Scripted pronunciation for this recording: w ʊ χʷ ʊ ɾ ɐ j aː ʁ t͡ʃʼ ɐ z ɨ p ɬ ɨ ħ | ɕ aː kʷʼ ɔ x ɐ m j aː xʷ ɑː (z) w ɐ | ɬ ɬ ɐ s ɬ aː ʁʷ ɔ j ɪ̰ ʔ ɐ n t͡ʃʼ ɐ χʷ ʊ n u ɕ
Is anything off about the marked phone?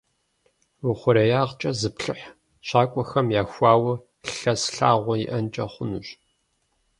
yes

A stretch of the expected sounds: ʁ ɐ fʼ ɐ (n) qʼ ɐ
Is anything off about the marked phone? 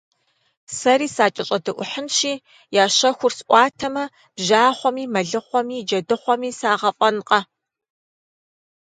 no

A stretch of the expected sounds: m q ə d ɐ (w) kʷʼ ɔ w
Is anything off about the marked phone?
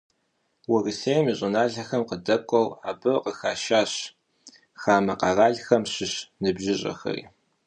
yes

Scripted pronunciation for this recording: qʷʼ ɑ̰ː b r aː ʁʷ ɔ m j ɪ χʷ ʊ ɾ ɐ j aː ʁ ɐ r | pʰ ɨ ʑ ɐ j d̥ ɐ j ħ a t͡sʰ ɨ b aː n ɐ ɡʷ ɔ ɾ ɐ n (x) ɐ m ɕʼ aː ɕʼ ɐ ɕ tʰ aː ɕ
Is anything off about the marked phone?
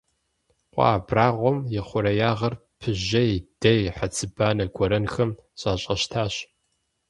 no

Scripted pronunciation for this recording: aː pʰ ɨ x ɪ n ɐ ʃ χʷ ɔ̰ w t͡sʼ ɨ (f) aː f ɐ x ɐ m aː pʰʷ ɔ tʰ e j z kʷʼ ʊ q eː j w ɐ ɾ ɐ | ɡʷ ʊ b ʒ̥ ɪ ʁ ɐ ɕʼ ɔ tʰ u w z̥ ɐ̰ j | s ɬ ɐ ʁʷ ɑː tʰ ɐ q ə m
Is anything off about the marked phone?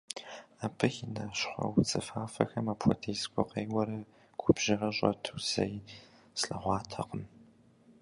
no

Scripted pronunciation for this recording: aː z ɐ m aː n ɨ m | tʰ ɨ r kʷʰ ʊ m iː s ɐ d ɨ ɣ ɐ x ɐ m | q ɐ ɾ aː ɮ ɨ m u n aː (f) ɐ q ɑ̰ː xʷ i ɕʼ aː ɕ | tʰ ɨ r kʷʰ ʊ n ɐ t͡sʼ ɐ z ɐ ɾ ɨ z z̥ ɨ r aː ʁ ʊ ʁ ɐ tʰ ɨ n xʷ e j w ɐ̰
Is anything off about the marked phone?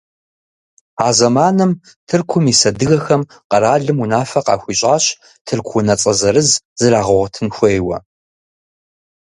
no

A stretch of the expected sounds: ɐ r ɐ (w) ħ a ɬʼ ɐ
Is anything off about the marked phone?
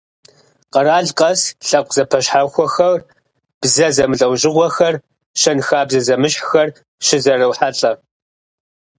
no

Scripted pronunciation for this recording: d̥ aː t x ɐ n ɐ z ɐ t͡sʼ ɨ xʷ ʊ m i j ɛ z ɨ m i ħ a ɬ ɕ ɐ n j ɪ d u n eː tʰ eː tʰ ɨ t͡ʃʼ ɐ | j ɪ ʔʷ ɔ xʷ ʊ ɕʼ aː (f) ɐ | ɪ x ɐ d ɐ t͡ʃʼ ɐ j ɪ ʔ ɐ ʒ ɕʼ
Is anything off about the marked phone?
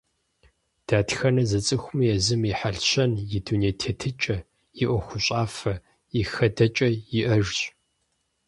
no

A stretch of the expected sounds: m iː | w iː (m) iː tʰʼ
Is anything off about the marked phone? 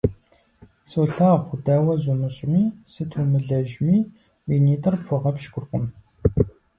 yes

